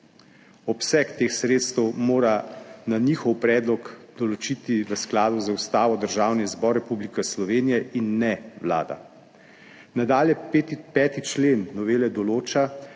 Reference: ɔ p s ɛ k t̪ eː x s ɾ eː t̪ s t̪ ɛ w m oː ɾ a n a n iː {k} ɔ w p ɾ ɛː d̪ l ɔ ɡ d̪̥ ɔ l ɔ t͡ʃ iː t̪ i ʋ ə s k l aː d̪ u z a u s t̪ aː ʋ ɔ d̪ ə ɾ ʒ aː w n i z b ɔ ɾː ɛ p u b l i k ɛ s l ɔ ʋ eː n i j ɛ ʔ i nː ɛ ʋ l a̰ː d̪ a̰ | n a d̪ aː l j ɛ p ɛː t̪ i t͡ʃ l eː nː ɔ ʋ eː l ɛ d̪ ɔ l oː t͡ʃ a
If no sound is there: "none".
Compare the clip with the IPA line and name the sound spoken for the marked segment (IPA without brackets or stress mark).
x